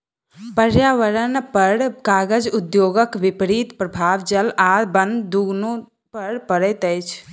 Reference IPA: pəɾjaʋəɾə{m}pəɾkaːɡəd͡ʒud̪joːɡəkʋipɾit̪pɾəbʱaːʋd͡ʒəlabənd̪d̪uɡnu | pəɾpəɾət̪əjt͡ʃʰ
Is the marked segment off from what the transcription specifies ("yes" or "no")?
yes